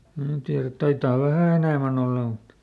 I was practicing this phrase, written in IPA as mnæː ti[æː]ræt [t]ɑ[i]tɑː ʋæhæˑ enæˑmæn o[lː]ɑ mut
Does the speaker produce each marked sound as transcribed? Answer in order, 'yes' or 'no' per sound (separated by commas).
no, yes, yes, yes